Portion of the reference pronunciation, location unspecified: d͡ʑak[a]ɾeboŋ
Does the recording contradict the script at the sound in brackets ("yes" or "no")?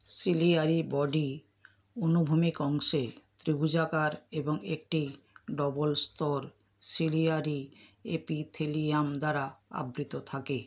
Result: no